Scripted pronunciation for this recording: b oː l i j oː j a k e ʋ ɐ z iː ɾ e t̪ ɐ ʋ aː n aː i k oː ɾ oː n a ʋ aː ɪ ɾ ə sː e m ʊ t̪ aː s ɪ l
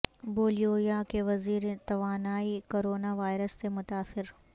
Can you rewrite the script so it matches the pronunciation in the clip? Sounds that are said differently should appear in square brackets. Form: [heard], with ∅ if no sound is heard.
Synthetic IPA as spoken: b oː l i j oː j a k e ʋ ɐ z iː ɾ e t̪ ɐ ʋ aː n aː i k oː ɾ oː n a ʋ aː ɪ ɾ ə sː e m ʊ t̪ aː s ɪ [ɾ]